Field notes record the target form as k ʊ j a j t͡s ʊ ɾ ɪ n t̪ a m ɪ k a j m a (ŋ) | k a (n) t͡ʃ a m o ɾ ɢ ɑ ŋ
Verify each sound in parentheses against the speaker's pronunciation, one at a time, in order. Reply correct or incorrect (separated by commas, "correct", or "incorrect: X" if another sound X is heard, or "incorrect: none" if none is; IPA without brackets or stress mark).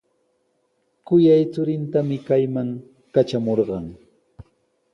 correct, incorrect: none